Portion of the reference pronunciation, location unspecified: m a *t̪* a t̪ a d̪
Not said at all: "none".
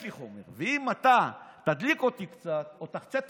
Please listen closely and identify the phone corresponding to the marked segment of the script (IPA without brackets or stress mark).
t̪